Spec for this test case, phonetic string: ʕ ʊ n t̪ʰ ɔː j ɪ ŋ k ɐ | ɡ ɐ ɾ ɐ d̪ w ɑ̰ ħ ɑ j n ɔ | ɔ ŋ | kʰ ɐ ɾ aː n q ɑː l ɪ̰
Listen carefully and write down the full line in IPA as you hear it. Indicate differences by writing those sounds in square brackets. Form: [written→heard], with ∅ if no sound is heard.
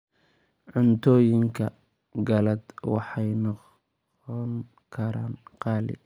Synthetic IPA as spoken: ʕ ʊ n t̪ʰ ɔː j ɪ ŋ [k→kʰ] ɐ | ɡ ɐ [ɾ→l] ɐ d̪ w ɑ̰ ħ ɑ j n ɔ | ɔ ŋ | kʰ ɐ ɾ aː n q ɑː l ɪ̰